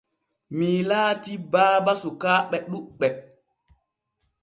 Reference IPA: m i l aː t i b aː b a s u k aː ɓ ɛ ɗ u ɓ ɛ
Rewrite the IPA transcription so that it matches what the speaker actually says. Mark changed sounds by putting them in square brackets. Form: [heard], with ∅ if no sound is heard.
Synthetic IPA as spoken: m i l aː t i b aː b a s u k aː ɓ ɛ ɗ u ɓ ɛ

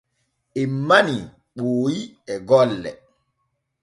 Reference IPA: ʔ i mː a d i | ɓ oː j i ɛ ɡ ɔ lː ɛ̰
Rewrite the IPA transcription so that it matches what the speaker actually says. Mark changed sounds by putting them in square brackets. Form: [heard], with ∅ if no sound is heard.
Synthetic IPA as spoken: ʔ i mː a [n] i | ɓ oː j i ɛ ɡ ɔ lː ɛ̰

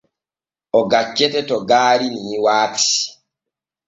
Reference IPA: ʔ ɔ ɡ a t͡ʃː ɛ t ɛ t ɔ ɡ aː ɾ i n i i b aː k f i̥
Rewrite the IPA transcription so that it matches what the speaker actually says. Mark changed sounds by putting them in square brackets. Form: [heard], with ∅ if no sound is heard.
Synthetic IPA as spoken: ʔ ɔ ɡ a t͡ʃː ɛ t ɛ t ɔ ɡ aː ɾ i n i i [w] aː k [s] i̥

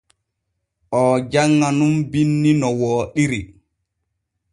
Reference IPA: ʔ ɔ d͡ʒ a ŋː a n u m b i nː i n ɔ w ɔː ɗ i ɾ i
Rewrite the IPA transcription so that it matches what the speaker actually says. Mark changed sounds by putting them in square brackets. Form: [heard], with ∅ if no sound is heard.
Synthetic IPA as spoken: ʔ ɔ d͡ʒ a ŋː a n u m b i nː i n ɔ w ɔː ɗ i ɾ i

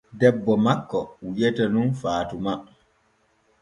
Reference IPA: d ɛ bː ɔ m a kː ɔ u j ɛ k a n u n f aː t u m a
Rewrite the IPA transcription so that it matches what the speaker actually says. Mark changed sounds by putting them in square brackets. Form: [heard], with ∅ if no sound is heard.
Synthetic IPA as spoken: d ɛ bː ɔ m a kː ɔ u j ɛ [t] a n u n f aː t u m a

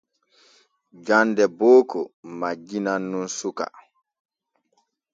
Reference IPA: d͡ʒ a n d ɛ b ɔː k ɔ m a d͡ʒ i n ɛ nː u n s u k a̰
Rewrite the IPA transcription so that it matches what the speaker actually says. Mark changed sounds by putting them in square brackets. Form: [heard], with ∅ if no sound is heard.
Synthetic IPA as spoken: d͡ʒ a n d ɛ b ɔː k ɔ m a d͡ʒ i n [a] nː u n s u k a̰

